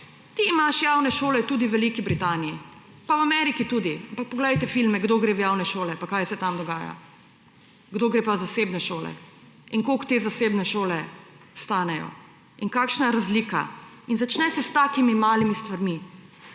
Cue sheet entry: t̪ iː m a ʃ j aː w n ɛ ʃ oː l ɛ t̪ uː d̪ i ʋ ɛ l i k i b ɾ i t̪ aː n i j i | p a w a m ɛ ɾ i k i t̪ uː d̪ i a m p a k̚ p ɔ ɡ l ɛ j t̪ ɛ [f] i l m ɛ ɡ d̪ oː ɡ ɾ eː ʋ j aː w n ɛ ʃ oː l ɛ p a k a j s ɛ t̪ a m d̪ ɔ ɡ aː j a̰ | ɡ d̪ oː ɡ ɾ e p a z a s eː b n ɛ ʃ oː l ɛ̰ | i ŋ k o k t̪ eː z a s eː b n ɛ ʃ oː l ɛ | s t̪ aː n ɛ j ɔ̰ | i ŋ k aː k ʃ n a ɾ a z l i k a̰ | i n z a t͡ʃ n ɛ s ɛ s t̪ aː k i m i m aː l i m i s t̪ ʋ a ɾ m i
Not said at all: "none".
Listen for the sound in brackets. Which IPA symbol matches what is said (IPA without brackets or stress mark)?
f